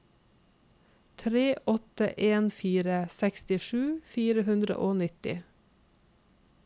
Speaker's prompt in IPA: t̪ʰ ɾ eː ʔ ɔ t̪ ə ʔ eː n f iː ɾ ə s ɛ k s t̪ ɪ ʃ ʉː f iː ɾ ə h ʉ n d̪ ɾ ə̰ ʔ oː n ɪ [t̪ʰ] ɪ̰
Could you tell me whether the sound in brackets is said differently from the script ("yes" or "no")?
yes